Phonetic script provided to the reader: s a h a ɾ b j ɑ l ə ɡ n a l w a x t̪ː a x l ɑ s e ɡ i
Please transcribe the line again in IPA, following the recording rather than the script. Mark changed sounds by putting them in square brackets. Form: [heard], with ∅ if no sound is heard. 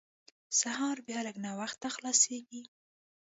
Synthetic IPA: s a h [ɑ] ɾ b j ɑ l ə ɡ n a [∅] w a x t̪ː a x l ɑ s e ɡ i